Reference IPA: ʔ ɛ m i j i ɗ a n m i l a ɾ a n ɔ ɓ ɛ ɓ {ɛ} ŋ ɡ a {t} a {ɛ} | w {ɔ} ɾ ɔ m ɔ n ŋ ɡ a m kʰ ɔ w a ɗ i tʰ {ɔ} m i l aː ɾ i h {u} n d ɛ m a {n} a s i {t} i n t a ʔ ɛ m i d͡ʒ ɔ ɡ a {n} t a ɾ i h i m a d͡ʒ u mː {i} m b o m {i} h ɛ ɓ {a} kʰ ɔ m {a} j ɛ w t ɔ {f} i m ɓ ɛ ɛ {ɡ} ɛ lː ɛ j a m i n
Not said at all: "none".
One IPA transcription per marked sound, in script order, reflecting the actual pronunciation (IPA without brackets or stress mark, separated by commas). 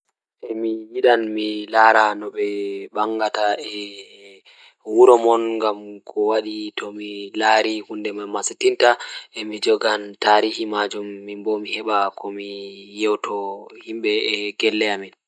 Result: a, t, ɛ, u, ɔ, u, m, t, n, i, i, a, i, h, ɡ